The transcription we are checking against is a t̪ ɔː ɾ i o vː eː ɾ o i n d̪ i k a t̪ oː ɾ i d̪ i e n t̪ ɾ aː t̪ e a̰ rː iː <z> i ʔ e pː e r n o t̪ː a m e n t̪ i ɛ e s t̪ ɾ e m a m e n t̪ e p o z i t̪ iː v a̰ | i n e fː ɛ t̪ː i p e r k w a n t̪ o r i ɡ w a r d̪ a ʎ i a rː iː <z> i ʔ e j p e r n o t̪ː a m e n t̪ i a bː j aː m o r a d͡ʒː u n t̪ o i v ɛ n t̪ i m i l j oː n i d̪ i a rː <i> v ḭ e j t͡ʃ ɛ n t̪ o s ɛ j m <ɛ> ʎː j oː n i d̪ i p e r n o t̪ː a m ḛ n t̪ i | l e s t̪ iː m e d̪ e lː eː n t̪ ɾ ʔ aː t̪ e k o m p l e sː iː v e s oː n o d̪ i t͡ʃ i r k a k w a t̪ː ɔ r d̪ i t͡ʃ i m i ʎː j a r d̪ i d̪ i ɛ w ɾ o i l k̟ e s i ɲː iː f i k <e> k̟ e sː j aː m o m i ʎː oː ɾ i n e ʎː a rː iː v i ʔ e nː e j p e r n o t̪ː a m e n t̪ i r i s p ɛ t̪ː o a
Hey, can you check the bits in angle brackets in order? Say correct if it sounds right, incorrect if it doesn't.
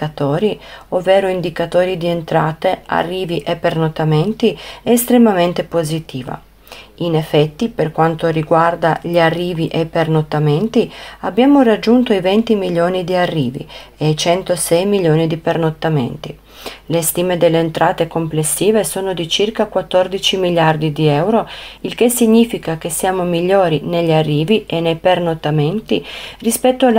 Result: incorrect: v, incorrect: v, incorrect: iː, incorrect: i, incorrect: a

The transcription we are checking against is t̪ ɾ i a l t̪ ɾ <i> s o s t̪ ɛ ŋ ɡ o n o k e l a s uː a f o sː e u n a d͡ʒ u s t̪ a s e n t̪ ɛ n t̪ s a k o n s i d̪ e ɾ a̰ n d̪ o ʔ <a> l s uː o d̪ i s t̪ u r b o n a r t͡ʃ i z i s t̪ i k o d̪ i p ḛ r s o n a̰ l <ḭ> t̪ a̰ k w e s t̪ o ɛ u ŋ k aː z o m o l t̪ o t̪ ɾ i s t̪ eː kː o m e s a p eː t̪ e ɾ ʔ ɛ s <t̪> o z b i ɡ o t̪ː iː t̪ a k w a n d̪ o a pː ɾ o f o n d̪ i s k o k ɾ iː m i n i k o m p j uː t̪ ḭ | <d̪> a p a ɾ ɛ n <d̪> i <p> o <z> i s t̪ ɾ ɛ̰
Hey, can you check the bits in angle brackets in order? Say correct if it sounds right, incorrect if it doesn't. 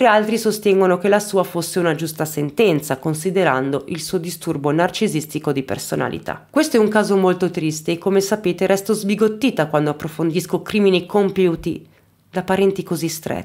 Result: correct, incorrect: i, correct, correct, correct, incorrect: t̪, incorrect: k, correct

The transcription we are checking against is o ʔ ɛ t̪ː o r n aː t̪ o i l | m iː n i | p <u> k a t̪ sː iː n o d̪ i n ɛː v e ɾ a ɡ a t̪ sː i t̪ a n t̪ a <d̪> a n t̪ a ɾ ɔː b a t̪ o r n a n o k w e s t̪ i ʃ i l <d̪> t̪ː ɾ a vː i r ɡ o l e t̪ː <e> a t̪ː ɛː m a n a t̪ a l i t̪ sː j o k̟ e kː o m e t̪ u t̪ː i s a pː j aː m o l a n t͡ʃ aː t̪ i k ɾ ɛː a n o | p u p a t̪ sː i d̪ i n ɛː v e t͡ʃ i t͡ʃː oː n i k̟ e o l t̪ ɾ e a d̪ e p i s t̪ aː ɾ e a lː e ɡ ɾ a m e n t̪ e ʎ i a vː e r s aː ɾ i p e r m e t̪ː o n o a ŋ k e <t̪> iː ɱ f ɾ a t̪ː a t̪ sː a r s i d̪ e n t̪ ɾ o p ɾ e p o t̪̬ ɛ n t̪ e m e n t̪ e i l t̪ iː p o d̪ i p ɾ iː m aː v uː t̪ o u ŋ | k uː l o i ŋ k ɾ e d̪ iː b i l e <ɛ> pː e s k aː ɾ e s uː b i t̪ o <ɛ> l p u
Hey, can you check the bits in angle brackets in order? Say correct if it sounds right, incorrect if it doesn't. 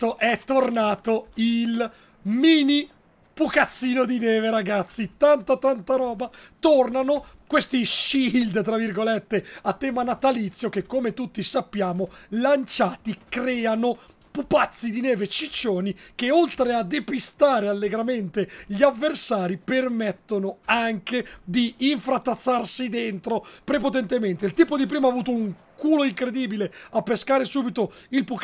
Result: correct, incorrect: t̪, correct, correct, incorrect: d̪, incorrect: a, incorrect: i

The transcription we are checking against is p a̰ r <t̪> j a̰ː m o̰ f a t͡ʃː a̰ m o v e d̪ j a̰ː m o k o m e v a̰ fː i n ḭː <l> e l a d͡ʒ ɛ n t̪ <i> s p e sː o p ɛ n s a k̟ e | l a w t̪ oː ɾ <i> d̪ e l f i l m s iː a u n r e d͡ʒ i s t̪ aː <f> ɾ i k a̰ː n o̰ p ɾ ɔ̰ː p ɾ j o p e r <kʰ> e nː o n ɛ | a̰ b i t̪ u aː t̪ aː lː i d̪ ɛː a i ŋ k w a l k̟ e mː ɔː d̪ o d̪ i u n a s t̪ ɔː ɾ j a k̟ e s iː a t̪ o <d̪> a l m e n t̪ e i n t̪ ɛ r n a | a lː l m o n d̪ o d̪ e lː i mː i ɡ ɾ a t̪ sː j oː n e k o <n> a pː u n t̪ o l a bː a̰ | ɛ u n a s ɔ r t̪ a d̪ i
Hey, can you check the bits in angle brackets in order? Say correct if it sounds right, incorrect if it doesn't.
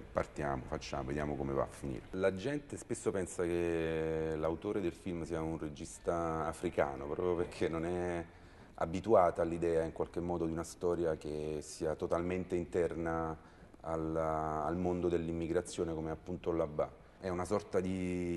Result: correct, incorrect: ɾ, incorrect: e, incorrect: e, correct, correct, incorrect: t̪, incorrect: m

